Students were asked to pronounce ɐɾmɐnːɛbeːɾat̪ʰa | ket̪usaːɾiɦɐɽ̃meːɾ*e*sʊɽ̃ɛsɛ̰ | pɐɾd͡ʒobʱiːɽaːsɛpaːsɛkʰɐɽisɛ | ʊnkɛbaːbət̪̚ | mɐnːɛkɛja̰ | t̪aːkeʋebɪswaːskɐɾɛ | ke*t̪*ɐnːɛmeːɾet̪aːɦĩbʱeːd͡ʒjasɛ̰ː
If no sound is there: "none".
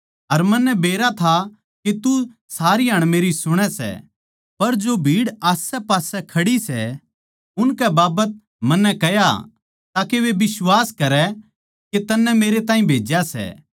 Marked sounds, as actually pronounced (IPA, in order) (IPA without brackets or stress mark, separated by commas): i, t̪